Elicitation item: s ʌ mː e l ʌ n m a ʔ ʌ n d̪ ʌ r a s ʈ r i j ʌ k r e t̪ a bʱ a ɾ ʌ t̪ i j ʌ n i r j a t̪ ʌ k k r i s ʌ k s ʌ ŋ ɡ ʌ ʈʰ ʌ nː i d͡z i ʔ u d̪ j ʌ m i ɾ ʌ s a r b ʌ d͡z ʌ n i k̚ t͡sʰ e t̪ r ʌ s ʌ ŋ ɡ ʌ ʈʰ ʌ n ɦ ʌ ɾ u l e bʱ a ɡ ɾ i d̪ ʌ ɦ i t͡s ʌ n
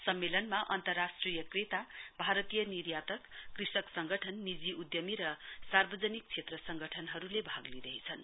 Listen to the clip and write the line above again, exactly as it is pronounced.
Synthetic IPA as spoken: s ʌ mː e l ʌ n m a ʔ ʌ n t̪ ʌ r a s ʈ r i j ʌ k r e t̪ a bʱ a ɾ ʌ t̪ i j ʌ n i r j a t̪ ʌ k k r i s ʌ k s ʌ ŋ ɡ ʌ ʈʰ ʌ nː i d͡z i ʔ u d̪ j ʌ m i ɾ ʌ s a r b ʌ d͡z ʌ n i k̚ t͡sʰ e t̪ r ʌ s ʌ ŋ ɡ ʌ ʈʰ ʌ n ɦ ʌ ɾ u l e bʱ a ɡ l i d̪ ʌ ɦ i t͡sʰ ʌ n